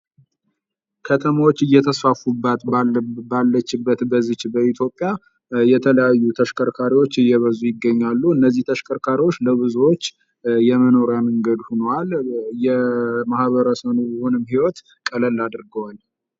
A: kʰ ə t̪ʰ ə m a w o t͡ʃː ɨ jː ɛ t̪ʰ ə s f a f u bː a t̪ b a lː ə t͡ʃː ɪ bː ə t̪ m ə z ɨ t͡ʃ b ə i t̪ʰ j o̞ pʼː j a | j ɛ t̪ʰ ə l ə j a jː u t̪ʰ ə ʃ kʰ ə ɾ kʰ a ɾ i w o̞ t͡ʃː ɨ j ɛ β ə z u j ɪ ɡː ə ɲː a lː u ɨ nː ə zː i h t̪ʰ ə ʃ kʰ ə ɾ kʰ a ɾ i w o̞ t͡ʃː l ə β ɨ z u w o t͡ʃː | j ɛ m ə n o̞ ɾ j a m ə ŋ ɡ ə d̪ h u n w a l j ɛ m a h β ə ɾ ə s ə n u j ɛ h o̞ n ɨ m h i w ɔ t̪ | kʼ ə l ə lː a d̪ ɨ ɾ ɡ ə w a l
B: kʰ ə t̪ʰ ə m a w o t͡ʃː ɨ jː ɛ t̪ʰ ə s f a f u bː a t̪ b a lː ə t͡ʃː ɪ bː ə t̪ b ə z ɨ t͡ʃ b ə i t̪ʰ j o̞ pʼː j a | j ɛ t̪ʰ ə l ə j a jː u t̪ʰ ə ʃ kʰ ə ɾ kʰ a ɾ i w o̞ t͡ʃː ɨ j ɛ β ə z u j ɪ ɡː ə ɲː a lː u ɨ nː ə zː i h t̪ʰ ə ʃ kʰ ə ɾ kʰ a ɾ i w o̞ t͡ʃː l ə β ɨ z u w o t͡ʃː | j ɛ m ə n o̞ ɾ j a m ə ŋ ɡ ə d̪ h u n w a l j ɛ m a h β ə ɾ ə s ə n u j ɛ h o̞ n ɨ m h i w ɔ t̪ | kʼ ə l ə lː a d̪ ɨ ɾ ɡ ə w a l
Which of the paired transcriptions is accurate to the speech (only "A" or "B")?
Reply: B